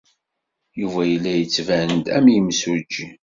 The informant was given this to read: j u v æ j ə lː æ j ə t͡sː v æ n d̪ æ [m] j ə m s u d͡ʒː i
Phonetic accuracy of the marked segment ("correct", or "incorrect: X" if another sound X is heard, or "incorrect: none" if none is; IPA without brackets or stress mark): correct